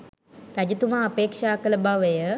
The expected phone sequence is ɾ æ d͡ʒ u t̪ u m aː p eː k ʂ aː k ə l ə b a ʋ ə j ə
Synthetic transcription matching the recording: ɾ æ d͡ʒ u t̪ u m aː p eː k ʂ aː k ə l ə b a ʋ ə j ə